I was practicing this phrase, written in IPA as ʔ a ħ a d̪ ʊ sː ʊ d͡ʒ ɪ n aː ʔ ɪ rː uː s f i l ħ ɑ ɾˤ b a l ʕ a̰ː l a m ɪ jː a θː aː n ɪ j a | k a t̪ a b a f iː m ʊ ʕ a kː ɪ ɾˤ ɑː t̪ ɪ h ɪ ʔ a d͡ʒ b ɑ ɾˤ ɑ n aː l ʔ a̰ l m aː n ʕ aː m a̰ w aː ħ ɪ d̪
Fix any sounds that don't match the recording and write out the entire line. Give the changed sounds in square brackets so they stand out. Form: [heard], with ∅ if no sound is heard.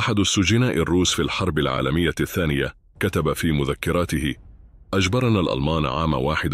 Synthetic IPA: ʔ a ħ a d̪ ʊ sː ʊ d͡ʒ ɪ n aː ʔ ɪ rː uː s f i l ħ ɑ ɾˤ b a l ʕ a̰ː l a m ɪ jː a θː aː n ɪ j a | k a t̪ a b a f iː m ʊ [ð] a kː ɪ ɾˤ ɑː t̪ ɪ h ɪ ʔ a d͡ʒ b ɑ ɾˤ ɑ n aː l ʔ a̰ l m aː n ʕ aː m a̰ w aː ħ ɪ d̪

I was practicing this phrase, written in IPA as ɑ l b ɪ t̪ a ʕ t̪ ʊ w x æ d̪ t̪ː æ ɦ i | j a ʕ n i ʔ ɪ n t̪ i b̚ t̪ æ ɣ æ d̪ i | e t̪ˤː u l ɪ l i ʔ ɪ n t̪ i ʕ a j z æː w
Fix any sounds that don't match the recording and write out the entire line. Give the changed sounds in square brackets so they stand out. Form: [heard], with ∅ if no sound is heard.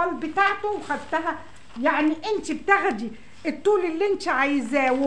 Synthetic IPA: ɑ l b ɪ t̪ a ʕ t̪ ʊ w x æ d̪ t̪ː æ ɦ [æ] | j a ʕ n i ʔ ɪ n t̪ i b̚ t̪ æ ɣ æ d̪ i | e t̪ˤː [uː] l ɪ [lː] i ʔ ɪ n t̪ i ʕ a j z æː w

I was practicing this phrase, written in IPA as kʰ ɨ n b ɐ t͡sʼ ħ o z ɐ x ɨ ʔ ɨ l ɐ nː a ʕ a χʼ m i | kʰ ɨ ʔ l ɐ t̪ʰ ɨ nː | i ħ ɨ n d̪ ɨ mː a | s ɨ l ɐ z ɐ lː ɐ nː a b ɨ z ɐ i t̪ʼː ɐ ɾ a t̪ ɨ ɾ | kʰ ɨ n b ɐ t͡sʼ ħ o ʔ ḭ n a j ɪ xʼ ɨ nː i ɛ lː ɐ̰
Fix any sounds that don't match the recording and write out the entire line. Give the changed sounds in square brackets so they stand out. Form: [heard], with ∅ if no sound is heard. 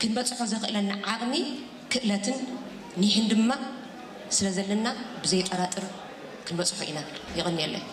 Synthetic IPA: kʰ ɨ n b ɐ t͡sʼ ħ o z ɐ x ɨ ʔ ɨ l ɐ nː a ʕ a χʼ m i | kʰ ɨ ʔ l ɐ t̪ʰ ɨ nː | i ħ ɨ n d̪ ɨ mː a | s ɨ l ɐ z ɐ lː ɐ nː a b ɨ z ɐ [j] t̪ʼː ɐ ɾ a [t̪ʼ] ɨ ɾ | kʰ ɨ n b ɐ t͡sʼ ħ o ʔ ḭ n a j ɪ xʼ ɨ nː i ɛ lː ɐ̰

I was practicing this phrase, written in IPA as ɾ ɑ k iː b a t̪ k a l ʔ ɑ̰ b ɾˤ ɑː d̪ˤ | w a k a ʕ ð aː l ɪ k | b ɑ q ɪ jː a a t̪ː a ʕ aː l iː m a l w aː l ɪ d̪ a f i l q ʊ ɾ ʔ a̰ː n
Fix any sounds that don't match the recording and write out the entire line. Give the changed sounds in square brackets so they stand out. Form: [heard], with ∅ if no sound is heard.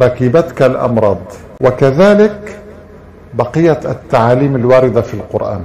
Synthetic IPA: ɾ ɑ k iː b a t̪ k a l ʔ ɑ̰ [m] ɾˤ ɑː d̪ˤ | w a k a [∅] ð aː l ɪ k | b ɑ q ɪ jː a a t̪ː a ʕ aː l iː m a l w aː [ɾ] ɪ d̪ a f i l q ʊ ɾ ʔ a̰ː n

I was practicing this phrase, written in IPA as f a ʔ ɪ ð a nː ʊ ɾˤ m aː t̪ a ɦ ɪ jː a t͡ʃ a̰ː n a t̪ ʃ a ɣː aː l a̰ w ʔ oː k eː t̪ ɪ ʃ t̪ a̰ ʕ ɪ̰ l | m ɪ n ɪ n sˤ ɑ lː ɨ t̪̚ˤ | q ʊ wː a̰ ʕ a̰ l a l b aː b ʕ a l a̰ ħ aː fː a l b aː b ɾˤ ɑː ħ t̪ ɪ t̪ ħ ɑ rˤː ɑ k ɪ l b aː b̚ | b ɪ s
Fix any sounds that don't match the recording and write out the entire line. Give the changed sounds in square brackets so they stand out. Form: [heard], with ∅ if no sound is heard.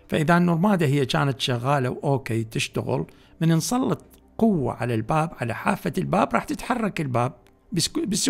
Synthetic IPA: f a ʔ ɪ ð a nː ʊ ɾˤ m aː [d̪] a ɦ ɪ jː a t͡ʃ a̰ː n a t̪ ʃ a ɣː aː l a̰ w ʔ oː k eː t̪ ɪ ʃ t̪ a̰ [ɣ] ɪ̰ l | m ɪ n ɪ n sˤ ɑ lː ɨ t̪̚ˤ | q ʊ wː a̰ ʕ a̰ l a l b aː b ʕ a l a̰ ħ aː fː a l b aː b ɾˤ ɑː ħ t̪ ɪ t̪ ħ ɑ rˤː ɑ k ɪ l b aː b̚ | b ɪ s

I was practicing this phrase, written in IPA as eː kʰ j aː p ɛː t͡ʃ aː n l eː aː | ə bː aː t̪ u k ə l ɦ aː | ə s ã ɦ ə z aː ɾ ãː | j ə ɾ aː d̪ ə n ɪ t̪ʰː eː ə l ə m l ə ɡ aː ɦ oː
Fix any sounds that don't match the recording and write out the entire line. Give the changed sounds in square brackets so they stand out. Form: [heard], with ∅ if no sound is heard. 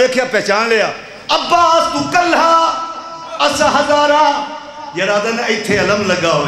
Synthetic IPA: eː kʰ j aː p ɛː t͡ʃ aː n l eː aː | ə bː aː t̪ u k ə l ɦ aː | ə s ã ɦ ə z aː ɾ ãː | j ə ɾ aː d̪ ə n ɪ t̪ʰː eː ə l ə m l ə ɡ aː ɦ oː

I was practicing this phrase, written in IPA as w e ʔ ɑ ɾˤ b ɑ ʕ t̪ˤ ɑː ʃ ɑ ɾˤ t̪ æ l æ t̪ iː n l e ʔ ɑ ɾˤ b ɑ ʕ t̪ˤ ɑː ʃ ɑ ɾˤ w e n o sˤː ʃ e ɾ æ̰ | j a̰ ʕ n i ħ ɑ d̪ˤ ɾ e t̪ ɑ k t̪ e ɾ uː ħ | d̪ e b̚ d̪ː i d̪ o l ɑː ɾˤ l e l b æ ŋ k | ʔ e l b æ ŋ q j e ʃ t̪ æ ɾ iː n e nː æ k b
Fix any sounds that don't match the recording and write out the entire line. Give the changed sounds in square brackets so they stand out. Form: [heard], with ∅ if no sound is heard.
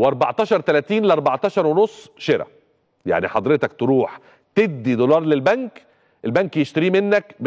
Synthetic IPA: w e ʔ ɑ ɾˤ b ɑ ʕ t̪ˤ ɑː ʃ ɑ ɾˤ t̪ æ l æ t̪ iː n l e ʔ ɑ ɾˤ b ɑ ʕ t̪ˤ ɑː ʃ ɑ ɾˤ w e n o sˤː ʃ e ɾ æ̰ | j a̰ ʕ n i ħ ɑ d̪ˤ ɾ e t̪ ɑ k t̪ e ɾ uː ħ | [t̪] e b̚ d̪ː i d̪ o l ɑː ɾˤ l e l b æ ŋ k | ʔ e l b æ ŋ [k] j e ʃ t̪ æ ɾ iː [m] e nː æ k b

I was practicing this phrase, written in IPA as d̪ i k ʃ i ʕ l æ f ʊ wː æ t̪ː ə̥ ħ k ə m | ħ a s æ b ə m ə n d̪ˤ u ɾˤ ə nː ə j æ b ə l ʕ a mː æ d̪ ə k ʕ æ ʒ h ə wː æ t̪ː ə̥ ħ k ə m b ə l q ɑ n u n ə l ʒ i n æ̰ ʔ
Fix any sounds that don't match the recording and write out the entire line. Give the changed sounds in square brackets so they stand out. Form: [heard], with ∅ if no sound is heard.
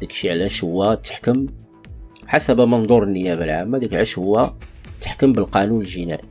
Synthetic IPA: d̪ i k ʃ i ʕ l æ [ʃ] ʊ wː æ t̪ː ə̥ ħ k ə m | ħ a s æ b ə m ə n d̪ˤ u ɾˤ ə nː ə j æ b ə l ʕ a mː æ d̪ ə k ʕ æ [ʃ] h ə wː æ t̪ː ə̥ ħ k ə m b ə l q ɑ n u n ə l ʒ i n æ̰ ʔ

